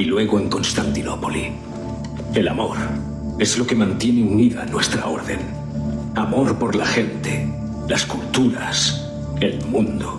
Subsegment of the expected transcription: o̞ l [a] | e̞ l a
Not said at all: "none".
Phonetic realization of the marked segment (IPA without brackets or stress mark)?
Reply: i